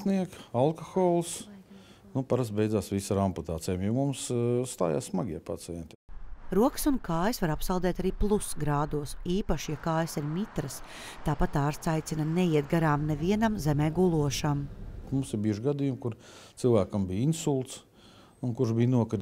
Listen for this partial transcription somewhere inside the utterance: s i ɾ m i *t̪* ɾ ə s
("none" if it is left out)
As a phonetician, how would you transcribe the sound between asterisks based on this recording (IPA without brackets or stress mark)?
t̪